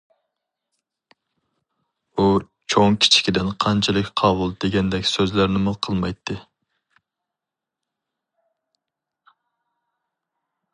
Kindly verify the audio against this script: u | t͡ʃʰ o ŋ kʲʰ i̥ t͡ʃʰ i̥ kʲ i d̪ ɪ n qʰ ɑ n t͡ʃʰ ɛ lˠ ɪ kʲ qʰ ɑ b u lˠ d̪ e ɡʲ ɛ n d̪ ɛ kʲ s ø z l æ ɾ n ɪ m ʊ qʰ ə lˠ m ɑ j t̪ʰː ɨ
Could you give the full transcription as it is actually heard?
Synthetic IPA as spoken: u | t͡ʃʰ o ŋ kʲʰ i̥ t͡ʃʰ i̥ kʲ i d̪ ɪ n qʰ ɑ n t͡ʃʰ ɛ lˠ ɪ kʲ qʰ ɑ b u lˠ d̪ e ɡʲ ɛ n d̪ ɛ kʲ s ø z l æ ɾ n ɪ m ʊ qʰ ə lˠ m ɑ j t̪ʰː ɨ